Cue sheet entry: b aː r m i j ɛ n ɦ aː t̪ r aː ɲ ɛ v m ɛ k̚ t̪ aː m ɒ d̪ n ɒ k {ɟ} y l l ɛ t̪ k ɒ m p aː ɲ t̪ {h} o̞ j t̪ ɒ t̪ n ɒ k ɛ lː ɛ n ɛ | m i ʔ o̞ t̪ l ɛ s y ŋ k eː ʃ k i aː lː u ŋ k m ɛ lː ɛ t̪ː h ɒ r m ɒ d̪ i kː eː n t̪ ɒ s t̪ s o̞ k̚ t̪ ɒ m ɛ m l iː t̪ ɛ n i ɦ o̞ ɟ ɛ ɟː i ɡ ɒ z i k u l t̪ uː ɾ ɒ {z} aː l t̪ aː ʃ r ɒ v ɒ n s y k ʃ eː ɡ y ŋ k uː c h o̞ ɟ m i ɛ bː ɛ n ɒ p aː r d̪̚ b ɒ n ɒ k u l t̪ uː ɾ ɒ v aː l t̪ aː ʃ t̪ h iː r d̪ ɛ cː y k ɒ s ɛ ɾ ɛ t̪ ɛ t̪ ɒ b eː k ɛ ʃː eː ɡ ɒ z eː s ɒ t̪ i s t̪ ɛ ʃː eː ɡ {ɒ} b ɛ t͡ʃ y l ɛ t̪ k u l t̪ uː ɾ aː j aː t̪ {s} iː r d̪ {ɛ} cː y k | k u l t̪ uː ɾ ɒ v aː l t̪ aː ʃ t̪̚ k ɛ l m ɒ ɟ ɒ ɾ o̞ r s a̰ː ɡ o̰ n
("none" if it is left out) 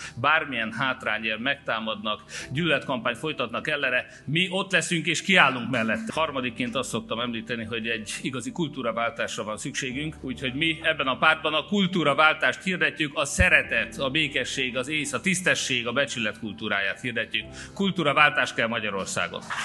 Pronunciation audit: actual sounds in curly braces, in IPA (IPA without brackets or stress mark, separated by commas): ɟ, f, v, ɒ, h, ɛ